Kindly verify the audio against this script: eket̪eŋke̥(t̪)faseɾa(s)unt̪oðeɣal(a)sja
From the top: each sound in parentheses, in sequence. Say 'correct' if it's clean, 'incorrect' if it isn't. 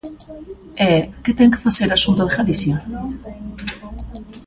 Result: incorrect, correct, incorrect

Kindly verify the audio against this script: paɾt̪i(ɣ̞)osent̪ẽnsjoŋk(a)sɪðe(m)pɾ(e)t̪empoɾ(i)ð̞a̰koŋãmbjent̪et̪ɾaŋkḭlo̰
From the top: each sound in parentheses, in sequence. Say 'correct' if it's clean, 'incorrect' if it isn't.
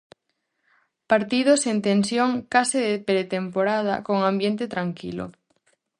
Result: incorrect, correct, incorrect, correct, incorrect

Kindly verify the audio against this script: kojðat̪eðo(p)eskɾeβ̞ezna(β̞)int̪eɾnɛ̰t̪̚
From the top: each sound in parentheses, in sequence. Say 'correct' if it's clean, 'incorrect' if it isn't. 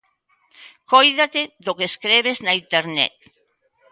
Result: incorrect, incorrect

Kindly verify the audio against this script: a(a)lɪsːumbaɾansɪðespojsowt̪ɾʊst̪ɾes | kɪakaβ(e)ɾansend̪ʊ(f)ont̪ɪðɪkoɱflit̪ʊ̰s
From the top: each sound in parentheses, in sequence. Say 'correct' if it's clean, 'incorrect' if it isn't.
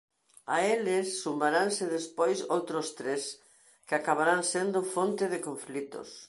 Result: incorrect, incorrect, correct

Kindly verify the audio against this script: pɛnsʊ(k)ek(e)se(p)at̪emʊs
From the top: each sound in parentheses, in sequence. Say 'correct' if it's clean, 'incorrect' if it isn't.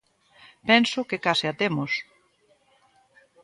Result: correct, incorrect, incorrect

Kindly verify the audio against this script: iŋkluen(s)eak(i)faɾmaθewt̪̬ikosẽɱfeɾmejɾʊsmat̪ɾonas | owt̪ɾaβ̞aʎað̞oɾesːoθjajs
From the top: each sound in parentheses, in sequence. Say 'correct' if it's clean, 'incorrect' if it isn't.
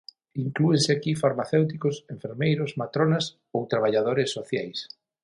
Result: correct, correct

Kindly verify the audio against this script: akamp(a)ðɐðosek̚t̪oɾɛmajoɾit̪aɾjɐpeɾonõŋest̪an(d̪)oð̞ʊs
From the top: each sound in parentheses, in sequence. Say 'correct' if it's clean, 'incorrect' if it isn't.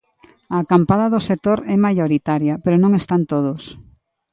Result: correct, incorrect

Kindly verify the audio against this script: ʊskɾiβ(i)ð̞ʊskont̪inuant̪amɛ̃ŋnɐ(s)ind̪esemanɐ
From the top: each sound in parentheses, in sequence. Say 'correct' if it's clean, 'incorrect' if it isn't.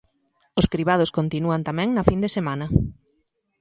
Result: incorrect, incorrect

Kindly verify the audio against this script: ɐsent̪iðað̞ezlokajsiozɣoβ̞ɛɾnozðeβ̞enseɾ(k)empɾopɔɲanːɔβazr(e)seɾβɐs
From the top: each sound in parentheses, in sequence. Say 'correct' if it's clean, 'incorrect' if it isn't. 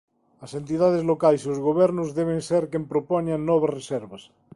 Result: correct, correct

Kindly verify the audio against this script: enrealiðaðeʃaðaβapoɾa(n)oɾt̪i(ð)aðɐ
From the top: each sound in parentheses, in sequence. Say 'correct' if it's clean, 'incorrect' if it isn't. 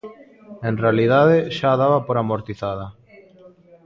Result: incorrect, incorrect

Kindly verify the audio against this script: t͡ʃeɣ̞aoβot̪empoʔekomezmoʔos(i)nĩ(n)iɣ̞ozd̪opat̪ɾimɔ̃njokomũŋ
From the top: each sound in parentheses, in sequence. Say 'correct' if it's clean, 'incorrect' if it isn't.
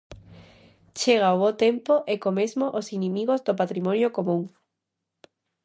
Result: correct, incorrect

